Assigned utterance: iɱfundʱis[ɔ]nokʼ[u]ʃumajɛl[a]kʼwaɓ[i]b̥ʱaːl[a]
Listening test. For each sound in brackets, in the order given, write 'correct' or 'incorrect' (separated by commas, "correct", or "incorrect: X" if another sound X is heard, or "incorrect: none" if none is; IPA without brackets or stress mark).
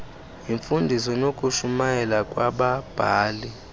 correct, correct, correct, incorrect: a, incorrect: i